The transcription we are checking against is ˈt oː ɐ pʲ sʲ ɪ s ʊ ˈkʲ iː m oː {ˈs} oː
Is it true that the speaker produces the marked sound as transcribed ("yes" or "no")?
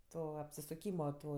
no